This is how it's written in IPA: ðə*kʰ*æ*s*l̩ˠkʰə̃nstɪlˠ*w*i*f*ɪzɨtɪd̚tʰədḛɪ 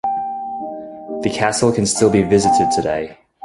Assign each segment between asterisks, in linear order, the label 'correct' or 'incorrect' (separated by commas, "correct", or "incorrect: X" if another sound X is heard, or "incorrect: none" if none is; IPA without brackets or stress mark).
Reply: correct, correct, incorrect: b, incorrect: v